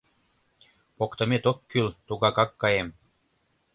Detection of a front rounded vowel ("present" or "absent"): present